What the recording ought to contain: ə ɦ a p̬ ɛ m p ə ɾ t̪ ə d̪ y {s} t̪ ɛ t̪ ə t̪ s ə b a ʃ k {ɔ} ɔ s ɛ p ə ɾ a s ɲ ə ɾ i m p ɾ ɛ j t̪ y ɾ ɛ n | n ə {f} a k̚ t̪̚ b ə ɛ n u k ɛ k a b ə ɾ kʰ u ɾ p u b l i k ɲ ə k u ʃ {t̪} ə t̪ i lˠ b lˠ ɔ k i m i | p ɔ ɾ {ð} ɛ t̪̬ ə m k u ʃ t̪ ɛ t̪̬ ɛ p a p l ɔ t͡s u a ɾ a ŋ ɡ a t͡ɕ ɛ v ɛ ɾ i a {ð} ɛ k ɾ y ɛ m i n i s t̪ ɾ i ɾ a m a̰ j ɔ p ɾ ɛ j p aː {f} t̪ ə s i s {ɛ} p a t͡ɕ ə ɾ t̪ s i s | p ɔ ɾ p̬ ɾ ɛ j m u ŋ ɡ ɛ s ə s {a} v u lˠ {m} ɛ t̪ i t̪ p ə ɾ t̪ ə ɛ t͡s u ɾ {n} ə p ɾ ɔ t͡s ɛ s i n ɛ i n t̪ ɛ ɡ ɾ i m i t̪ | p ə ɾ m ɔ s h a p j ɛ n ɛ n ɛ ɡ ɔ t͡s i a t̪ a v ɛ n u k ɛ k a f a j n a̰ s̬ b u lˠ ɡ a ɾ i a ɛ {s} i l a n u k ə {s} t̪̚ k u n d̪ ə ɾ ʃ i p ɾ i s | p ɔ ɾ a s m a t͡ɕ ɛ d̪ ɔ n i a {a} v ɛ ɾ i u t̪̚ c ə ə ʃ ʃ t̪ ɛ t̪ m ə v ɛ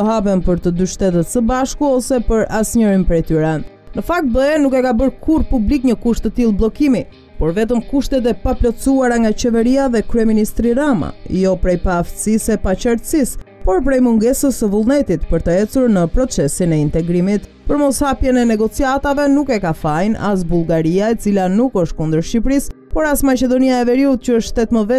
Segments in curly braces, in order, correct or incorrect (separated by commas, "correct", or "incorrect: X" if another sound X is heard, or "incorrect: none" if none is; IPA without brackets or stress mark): incorrect: ʃ, incorrect: u, correct, correct, incorrect: v, correct, correct, correct, incorrect: ə, incorrect: n, correct, incorrect: t͡s, incorrect: ʃ, incorrect: ɛ